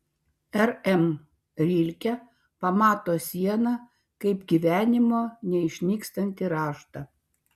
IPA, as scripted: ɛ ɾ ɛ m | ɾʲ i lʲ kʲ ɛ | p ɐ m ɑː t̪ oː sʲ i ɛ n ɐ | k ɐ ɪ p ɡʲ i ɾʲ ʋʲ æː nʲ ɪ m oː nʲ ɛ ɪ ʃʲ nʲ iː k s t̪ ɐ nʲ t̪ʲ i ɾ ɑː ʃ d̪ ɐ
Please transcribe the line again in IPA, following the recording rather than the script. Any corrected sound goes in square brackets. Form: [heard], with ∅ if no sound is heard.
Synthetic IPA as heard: ɛ ɾ ɛ m | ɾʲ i lʲ kʲ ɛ | p ɐ m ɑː t̪ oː sʲ i ɛ n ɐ | k ɐ ɪ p ɡʲ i [∅] ʋʲ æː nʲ ɪ m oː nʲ ɛ ɪ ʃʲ nʲ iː k s t̪ ɐ nʲ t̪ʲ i ɾ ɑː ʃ [t̪] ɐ